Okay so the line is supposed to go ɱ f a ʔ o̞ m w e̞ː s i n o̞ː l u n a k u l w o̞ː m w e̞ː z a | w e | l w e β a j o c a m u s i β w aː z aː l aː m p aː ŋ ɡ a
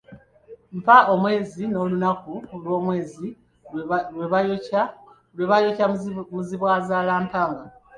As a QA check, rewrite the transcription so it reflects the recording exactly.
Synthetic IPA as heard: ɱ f a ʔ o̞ m w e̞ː z i n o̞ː l u n a k u l w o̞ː m w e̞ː z i | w e | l w e β a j o c a m u z i β w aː z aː l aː m p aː ŋ ɡ a